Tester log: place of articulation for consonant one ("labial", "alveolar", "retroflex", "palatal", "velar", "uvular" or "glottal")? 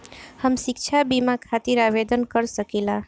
glottal